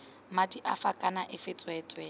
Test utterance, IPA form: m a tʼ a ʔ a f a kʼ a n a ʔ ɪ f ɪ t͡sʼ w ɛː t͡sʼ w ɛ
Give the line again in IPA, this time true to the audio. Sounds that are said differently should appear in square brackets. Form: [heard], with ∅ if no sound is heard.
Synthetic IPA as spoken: m a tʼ [i] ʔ a f a kʼ a n a ʔ ɪ f ɪ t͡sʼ w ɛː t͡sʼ w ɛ